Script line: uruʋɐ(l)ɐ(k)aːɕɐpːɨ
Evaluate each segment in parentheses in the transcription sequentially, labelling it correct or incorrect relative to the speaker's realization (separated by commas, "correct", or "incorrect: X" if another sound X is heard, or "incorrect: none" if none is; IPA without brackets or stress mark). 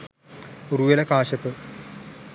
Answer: correct, correct